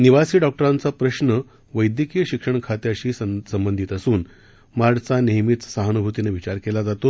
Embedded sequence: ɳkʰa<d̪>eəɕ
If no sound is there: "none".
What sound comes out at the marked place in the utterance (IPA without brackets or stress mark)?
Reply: t̪